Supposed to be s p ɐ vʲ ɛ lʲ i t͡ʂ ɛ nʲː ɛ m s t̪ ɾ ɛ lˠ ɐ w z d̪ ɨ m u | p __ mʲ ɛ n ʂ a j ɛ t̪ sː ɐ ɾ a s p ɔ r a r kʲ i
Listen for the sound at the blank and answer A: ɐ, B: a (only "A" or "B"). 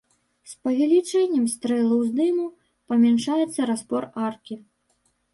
A